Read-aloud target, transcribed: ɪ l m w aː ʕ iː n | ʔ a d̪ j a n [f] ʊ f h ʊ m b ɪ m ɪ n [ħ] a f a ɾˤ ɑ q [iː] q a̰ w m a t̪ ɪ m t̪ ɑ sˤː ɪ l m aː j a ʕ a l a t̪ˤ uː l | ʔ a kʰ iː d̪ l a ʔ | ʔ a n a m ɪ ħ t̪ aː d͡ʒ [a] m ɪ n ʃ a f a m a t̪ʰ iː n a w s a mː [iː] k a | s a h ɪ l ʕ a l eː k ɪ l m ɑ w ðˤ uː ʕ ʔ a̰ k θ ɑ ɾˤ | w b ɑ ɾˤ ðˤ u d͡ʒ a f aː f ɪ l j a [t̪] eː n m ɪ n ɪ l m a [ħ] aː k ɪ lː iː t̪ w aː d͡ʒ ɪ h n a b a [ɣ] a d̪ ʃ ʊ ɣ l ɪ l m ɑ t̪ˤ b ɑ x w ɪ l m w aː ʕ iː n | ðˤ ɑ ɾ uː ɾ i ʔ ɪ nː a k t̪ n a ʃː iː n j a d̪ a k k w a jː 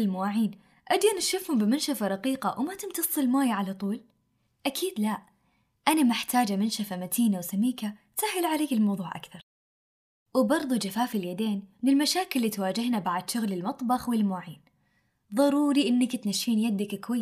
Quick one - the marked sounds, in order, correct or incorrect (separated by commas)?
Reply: incorrect, incorrect, correct, correct, correct, incorrect, incorrect, incorrect